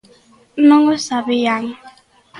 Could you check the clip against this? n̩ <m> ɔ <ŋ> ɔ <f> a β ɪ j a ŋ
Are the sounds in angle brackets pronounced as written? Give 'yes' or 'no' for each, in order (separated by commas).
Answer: no, yes, no